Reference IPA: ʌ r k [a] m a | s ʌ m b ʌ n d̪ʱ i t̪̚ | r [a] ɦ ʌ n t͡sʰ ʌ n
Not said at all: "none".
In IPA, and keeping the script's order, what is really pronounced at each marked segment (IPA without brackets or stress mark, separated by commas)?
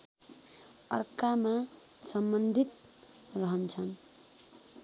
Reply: a, ʌ